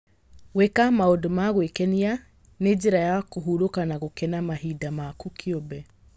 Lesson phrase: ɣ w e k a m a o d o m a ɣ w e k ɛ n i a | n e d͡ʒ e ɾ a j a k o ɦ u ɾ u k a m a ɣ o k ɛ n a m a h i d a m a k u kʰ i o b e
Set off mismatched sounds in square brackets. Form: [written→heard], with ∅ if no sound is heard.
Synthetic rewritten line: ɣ w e k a m a o d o m a ɣ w e k ɛ n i a | n e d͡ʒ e ɾ a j a k o ɦ u ɾ [u→o] k a [m→n] a ɣ o k ɛ n a m a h i d a m a k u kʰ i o b [e→ɛ]

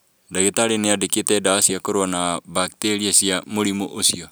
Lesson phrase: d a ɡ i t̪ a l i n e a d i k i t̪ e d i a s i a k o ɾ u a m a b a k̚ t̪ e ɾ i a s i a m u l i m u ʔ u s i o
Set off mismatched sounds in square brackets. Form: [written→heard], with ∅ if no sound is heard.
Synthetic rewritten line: d a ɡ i t̪ a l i n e a d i k i t̪ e d [i→a] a s i a k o ɾ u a [m→n] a b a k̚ t̪ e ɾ i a s i a m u l i m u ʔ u s i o

